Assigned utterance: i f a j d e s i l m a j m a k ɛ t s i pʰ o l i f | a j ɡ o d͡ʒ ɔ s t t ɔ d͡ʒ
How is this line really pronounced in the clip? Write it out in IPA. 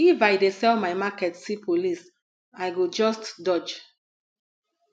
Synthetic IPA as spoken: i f a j d e s ɛ l m a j m a k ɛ t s i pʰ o l i s | a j ɡ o d͡ʒ ɔ s t d ɔ d͡ʒ